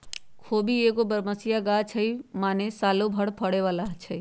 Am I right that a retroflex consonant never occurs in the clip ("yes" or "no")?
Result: no